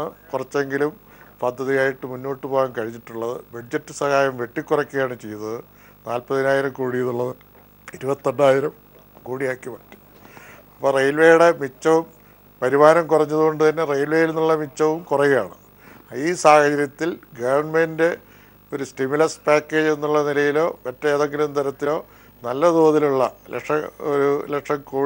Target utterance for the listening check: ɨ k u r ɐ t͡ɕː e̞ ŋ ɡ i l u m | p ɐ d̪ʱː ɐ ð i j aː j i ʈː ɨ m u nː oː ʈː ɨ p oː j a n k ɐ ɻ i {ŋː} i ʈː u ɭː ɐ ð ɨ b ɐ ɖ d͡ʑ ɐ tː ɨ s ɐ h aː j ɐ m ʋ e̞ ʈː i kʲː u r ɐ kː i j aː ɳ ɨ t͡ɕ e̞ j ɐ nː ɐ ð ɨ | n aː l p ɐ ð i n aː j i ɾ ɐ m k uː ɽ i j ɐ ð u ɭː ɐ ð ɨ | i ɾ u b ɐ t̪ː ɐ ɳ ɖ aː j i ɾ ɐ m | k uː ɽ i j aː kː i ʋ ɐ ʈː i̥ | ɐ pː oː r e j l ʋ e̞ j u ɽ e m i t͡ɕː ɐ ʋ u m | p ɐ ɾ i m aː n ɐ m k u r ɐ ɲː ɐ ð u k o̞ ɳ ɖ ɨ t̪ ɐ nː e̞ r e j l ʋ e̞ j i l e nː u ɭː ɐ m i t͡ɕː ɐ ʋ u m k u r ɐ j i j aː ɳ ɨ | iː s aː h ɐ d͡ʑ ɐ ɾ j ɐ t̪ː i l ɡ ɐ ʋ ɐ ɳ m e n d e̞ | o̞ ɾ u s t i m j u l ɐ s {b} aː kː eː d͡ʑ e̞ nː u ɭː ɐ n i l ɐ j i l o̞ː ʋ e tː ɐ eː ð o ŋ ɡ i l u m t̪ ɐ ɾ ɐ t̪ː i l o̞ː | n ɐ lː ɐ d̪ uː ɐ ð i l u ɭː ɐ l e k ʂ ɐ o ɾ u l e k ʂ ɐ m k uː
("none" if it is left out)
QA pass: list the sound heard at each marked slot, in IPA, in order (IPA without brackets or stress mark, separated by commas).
ɲː, p